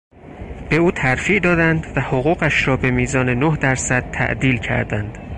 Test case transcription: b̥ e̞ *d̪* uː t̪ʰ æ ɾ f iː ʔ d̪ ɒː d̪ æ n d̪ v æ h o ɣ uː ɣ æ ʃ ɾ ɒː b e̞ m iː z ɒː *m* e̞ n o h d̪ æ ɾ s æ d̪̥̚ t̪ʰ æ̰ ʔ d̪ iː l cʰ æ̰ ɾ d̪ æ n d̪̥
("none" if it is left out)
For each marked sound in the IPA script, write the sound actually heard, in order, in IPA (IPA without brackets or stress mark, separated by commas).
none, n